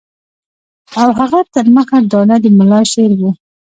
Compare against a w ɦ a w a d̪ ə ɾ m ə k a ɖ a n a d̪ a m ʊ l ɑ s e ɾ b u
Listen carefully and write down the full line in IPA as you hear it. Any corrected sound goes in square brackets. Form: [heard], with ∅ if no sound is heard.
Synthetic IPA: a w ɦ a [ɣ] a [t̪] ə ɾ m ə [x] a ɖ [ɑ] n a d̪ [ə] m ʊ l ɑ [ʃ] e ɾ [w] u